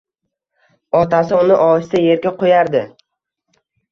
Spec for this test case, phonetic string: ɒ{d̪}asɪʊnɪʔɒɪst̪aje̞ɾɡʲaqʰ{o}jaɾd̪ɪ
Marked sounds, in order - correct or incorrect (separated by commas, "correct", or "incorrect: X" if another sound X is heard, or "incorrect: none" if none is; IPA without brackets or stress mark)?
incorrect: t̪, correct